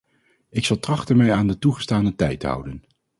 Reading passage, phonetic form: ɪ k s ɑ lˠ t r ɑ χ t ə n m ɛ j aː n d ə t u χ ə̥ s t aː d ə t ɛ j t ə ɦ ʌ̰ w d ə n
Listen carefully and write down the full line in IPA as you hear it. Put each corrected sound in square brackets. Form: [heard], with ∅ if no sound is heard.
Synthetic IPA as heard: ɪ k s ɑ lˠ t r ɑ χ t ə n m ɛ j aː n d ə t u χ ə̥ s t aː [n] ə t ɛ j t ə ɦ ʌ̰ w d ə n